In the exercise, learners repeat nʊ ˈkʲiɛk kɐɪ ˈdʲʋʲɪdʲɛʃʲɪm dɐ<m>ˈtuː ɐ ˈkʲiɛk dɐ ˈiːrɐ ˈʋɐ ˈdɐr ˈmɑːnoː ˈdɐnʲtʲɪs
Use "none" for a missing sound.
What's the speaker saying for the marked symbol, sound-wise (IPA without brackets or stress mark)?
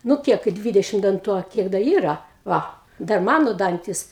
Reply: n